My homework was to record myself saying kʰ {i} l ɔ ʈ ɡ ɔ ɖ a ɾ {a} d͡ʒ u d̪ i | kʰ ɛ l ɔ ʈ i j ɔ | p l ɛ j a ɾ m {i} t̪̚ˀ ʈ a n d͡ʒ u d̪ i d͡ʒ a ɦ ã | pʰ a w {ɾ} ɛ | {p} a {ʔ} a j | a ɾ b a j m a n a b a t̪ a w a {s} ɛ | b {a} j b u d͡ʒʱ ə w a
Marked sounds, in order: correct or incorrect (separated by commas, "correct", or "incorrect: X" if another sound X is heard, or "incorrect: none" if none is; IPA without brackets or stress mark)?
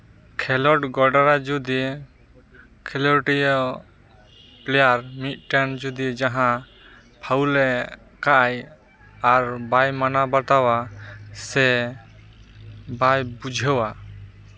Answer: incorrect: ɛ, correct, correct, incorrect: l, incorrect: k, correct, correct, correct